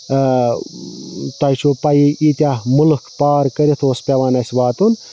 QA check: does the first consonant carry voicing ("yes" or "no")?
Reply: no